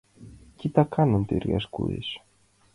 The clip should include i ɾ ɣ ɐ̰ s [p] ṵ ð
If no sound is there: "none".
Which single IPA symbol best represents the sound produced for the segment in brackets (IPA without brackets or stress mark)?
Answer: k